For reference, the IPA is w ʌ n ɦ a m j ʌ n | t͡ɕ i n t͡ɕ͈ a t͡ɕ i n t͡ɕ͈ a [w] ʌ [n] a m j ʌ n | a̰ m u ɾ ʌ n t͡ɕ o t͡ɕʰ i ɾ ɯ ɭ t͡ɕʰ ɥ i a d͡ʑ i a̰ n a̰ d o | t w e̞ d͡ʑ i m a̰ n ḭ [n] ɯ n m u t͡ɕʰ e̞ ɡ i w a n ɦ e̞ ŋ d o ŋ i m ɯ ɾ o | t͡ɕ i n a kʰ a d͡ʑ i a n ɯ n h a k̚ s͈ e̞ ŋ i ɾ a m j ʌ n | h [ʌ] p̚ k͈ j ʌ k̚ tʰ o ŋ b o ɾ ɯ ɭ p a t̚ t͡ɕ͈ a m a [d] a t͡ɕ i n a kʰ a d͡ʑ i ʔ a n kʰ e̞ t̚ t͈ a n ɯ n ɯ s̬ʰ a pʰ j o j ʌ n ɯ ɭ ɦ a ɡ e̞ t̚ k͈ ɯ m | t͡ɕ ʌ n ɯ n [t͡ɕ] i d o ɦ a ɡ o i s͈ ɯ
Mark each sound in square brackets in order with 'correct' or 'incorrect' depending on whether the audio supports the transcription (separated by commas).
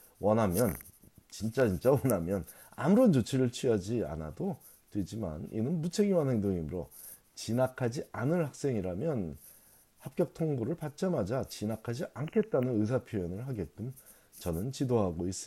correct, correct, correct, incorrect, incorrect, correct